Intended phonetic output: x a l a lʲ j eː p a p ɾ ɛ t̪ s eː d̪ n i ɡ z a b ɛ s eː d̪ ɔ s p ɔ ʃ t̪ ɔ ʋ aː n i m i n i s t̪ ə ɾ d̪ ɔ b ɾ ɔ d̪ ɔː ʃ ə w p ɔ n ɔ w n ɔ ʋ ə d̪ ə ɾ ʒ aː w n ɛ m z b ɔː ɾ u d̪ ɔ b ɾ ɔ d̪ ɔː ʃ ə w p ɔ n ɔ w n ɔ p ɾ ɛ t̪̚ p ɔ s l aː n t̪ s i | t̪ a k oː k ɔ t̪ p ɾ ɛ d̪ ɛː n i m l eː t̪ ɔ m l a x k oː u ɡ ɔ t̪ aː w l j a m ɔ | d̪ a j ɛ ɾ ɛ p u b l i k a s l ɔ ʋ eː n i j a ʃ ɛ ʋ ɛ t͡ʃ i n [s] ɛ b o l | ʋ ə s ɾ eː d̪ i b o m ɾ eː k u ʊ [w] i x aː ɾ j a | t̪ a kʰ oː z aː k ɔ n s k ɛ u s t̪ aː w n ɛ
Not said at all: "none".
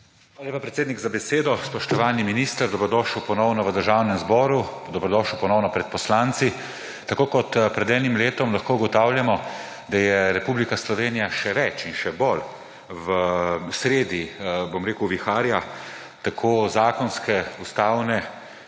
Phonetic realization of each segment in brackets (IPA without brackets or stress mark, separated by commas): ʃ, ʋ